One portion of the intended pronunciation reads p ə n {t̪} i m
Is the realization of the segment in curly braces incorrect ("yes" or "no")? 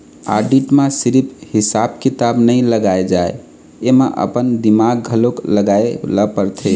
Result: yes